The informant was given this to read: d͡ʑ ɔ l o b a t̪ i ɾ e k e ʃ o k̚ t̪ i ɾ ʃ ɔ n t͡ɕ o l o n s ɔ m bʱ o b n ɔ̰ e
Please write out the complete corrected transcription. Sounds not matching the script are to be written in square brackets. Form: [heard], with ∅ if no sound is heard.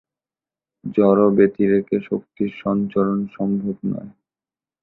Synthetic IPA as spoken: d͡ʑ ɔ [ɾ] o b [e] t̪ i ɾ e k e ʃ o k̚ t̪ i ɾ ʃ ɔ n t͡ɕ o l o n [ʃ] ɔ m bʱ o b n ɔ̰ e